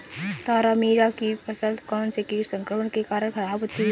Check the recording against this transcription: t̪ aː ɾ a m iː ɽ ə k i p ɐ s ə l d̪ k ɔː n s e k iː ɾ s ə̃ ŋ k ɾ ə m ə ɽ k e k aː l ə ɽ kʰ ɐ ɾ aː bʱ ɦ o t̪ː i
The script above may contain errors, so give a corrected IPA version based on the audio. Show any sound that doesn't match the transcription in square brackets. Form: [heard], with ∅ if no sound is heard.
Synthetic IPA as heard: t̪ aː ɾ a m iː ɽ [a] k i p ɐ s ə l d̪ k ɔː n s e k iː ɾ s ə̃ ŋ k ɾ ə m ə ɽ k e k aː [ɾ] ə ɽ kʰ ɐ ɾ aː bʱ ɦ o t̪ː i